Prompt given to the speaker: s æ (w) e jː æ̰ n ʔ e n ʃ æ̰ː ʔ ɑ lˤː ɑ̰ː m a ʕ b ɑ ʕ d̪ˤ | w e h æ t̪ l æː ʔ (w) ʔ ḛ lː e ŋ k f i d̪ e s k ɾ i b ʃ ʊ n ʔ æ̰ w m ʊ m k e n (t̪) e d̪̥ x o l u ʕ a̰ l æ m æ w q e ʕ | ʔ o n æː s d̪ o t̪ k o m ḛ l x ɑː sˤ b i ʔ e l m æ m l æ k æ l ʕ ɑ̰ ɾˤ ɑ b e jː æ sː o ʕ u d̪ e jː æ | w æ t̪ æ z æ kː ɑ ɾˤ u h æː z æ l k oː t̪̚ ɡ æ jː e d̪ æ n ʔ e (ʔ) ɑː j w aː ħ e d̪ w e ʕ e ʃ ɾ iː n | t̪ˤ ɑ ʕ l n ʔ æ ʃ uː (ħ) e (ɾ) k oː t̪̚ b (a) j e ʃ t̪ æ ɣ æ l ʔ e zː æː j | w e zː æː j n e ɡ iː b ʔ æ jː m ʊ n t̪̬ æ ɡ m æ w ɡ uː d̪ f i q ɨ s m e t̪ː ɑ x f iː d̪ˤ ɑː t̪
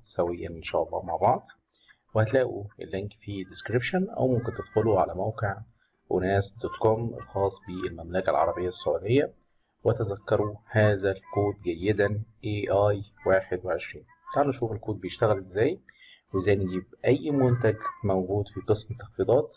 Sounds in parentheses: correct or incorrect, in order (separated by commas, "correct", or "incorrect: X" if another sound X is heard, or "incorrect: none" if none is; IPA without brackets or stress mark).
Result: correct, incorrect: u, correct, correct, incorrect: f, incorrect: l, incorrect: e